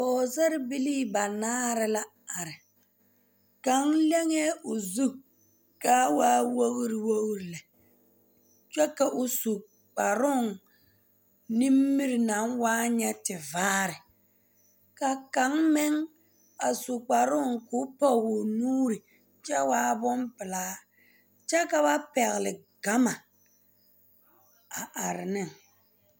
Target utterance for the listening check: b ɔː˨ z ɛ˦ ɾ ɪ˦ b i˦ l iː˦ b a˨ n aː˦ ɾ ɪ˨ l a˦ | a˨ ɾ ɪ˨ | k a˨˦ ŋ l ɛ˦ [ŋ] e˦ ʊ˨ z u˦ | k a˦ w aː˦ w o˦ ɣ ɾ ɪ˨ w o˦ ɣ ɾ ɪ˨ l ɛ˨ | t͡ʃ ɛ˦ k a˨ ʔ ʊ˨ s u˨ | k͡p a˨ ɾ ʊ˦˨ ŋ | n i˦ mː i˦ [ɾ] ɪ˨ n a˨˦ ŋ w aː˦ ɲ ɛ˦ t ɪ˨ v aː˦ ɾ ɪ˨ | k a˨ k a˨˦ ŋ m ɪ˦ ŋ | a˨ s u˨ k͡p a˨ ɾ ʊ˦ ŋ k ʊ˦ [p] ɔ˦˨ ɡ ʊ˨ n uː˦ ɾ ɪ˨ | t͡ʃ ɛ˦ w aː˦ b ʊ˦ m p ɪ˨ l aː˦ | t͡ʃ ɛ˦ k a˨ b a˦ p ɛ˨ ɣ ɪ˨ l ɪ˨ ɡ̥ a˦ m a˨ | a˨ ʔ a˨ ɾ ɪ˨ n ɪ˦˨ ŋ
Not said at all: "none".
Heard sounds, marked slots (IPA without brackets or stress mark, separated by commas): ŋ, ɾ, p